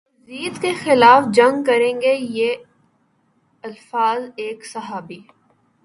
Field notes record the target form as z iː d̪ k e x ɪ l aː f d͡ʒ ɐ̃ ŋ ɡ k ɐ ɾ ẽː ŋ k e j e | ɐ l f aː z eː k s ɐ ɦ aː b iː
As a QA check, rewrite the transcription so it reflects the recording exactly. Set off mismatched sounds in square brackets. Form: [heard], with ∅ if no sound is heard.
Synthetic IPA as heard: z iː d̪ k e x ɪ l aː f d͡ʒ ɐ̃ ŋ ɡ k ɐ ɾ ẽː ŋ [ɡ] e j e | ɐ l f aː z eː k s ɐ ɦ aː b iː